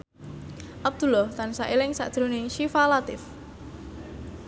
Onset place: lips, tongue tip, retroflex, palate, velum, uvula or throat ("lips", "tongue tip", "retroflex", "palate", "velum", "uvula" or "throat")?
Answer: throat